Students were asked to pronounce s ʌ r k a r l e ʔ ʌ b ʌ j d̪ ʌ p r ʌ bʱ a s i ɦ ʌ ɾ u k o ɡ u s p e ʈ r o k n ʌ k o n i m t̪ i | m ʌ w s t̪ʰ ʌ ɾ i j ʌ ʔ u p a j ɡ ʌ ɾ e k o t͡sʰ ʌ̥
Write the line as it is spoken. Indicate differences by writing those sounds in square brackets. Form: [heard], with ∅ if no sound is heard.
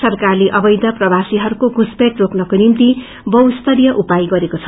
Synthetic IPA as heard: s ʌ r k a r l e ʔ ʌ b ʌ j d̪ ʌ p r ʌ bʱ a s i ɦ ʌ ɾ u k o ɡ u s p e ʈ r o k n ʌ k o n i m t̪ i | [b] ʌ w s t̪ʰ ʌ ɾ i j ʌ ʔ u p a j ɡ ʌ ɾ e k o t͡sʰ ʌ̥